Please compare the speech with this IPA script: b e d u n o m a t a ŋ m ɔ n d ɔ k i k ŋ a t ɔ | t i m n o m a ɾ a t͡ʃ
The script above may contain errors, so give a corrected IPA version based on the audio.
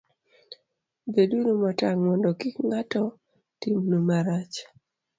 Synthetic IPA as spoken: b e d u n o m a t a ŋ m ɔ n d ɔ k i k ŋ a t ɔ | t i m n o m a ɾ a t͡ʃ